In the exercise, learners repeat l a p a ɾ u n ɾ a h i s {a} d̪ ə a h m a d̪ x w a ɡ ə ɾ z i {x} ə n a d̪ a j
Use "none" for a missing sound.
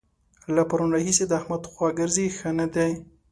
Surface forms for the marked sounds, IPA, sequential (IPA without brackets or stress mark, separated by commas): e, x